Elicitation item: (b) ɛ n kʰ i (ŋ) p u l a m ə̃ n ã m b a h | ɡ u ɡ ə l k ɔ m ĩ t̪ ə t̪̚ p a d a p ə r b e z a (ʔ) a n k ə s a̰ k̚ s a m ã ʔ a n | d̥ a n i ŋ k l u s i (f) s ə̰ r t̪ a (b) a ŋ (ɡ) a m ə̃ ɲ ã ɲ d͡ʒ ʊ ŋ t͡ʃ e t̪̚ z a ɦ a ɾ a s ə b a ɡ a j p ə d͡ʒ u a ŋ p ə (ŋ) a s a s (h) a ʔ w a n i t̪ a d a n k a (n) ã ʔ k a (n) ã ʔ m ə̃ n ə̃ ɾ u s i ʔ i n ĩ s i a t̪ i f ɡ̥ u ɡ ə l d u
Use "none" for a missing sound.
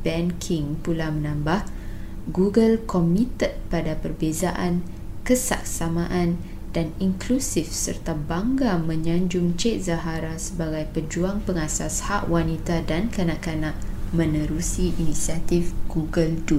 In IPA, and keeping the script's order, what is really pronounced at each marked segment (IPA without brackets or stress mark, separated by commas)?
b, ŋ, ʔ, f, b, ɡ, ŋ, h, n, n